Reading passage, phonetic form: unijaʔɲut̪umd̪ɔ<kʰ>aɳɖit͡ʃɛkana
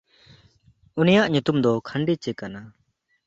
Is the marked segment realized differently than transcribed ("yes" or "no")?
no